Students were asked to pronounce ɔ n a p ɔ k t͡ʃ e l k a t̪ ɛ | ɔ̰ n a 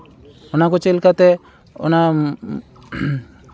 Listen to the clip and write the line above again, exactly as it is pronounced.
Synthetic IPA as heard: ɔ n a k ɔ t͡ʃ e l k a t̪ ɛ | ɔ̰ n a